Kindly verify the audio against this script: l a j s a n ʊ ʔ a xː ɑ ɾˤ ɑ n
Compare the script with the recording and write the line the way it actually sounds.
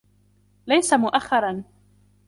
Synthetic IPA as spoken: l a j s a m ʊ ʔ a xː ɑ ɾˤ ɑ n